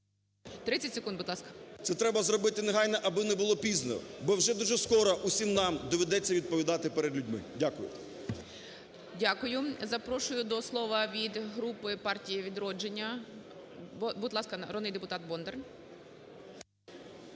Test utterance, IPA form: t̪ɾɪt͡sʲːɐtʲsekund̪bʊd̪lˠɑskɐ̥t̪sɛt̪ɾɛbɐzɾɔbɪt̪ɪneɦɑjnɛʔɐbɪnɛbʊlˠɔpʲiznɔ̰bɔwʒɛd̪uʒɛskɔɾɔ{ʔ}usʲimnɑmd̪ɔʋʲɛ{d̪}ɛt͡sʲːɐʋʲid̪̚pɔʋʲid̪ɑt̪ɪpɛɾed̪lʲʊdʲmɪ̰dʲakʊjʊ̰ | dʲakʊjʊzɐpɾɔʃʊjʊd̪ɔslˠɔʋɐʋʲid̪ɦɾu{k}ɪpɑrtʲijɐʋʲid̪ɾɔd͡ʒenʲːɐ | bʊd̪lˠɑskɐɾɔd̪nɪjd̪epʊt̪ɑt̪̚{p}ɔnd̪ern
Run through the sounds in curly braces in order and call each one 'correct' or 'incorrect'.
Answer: correct, correct, incorrect, incorrect

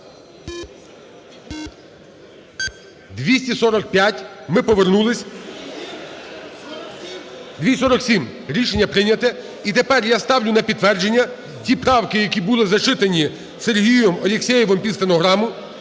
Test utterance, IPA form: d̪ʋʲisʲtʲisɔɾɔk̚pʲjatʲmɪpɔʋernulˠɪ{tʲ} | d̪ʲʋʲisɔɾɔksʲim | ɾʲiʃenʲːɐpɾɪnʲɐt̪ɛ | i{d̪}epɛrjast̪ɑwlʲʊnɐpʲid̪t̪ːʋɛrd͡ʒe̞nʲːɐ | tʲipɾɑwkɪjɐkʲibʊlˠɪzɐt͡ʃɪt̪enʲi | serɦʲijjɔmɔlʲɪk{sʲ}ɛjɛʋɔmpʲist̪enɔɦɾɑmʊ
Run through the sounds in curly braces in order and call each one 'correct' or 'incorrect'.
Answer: incorrect, incorrect, correct

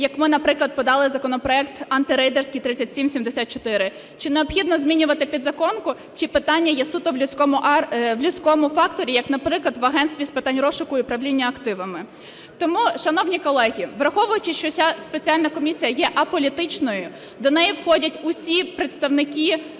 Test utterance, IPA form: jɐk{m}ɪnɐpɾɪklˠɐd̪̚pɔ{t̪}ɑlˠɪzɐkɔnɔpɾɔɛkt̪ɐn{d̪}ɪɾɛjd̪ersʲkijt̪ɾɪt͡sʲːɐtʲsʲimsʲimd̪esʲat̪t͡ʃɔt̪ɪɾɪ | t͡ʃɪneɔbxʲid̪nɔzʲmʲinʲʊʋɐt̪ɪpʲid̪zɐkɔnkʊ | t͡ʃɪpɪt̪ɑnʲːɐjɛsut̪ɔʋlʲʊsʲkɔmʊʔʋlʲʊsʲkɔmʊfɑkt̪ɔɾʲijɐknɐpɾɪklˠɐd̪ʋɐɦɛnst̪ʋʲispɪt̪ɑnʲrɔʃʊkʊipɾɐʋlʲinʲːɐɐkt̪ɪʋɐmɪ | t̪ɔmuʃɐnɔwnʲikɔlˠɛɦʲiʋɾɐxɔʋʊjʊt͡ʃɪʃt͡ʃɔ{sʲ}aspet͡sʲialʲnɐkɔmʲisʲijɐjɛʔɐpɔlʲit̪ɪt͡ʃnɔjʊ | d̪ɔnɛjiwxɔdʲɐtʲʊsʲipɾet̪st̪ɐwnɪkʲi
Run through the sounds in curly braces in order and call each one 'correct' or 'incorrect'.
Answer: correct, incorrect, incorrect, correct

